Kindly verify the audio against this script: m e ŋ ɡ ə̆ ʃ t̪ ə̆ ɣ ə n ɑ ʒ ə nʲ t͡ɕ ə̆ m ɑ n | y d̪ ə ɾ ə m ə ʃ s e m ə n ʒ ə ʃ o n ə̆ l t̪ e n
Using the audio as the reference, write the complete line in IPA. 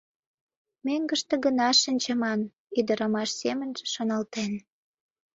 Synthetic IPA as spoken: m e ŋ ɡ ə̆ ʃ t̪ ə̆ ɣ ə n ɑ ʃ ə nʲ t͡ɕ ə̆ m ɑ n | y d̪ ə ɾ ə m ɑ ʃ s e m ə n ʒ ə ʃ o n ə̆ l t̪ e n